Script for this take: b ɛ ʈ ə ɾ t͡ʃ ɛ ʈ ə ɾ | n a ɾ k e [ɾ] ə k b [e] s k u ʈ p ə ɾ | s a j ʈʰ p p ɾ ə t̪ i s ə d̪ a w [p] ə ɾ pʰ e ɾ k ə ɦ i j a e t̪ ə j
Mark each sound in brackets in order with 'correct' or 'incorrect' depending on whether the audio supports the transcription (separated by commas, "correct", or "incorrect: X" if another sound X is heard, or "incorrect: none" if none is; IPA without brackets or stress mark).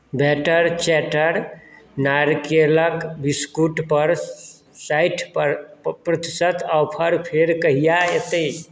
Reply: incorrect: l, incorrect: i, incorrect: pʰ